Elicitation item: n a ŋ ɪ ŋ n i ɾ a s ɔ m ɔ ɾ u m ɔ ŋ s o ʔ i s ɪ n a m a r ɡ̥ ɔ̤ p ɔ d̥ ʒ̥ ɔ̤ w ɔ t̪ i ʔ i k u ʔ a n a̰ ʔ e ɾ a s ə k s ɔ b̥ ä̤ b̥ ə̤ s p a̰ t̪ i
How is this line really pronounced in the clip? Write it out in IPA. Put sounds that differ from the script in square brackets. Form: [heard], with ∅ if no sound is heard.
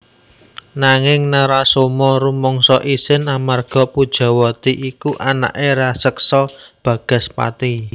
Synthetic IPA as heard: n a ŋ ɪ ŋ n [a] ɾ a s [o] m ɔ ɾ u m ɔ ŋ s [ɔ] ʔ i s ɪ n a m a r ɡ̥ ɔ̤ p [u] d̥ ʒ̥ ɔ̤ w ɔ t̪ i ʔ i k u ʔ a n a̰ ʔ e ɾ a s ə k s ɔ b̥ ä̤ [ɡ̥] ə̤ s p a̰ t̪ i